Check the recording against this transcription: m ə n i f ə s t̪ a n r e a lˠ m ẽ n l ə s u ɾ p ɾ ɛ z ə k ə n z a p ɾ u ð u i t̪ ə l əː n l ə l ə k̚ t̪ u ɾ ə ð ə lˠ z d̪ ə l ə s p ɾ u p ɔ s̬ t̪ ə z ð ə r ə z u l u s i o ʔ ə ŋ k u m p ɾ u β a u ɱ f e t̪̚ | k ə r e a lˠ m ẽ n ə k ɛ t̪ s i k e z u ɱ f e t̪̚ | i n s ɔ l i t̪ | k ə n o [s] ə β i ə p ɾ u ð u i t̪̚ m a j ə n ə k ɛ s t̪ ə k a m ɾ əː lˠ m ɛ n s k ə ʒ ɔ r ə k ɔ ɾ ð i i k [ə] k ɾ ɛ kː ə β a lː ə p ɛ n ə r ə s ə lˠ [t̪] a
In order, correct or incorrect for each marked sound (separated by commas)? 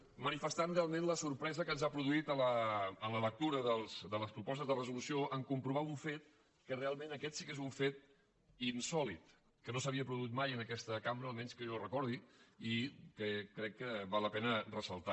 correct, correct, correct